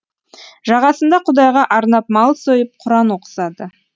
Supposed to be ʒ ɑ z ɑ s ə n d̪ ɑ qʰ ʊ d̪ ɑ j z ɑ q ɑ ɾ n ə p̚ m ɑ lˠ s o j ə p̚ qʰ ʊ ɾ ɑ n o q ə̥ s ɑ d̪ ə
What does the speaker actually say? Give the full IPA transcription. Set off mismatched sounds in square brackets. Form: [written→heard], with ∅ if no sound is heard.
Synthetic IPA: ʒ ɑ [z→ʁ] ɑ s ə n d̪ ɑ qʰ ʊ d̪ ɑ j [z→ʁ] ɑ [q→ʔ] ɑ ɾ n [ə→ɑ] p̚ m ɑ lˠ s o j ə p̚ qʰ ʊ ɾ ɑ n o q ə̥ s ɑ d̪ ə